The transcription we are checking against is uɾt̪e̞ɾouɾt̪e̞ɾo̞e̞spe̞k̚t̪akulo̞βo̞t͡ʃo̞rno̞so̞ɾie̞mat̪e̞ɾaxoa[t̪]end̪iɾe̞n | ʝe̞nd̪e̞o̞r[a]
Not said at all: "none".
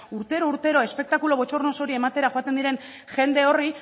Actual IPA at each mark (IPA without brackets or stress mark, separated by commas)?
t̪, i